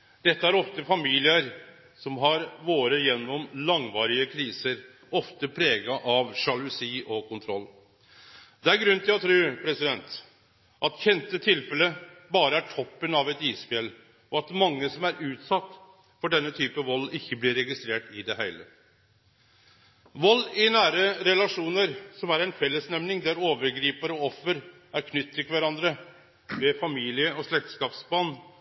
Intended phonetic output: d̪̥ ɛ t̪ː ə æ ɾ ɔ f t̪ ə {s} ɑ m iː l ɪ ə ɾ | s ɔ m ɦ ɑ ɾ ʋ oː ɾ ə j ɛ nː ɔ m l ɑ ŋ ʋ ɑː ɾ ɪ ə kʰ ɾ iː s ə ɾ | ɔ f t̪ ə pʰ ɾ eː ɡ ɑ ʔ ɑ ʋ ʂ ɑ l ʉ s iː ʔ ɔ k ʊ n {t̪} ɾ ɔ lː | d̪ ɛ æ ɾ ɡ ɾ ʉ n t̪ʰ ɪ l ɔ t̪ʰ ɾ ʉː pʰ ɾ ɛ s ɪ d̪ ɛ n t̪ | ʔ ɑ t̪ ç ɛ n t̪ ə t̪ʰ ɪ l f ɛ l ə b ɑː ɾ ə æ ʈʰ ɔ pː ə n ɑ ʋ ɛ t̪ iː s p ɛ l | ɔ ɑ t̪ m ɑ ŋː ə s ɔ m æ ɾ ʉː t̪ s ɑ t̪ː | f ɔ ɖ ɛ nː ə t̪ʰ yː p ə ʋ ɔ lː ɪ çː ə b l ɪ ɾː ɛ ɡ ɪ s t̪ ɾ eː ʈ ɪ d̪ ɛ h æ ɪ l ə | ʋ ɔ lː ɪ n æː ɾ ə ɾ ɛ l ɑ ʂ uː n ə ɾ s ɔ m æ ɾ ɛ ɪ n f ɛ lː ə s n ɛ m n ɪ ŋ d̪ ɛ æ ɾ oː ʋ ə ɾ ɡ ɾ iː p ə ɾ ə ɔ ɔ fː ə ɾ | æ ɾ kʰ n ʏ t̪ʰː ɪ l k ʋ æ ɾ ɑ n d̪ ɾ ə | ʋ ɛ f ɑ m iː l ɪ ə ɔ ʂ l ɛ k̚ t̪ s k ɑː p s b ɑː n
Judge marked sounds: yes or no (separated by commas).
no, no